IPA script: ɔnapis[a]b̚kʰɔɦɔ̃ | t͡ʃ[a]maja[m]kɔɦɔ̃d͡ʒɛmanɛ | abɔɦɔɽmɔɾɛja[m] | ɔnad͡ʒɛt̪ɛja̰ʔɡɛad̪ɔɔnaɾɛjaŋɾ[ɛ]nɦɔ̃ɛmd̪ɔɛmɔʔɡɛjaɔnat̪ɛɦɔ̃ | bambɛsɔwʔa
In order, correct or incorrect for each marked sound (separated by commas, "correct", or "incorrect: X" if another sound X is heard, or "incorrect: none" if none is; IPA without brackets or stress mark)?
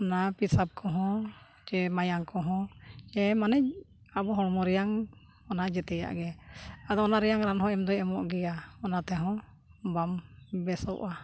correct, incorrect: ɛ, incorrect: ŋ, incorrect: ŋ, incorrect: a